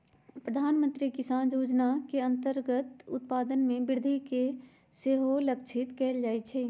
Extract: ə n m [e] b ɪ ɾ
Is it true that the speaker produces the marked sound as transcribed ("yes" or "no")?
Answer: no